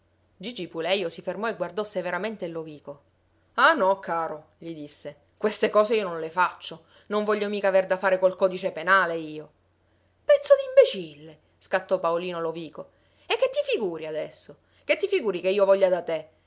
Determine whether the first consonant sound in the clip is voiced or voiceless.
voiced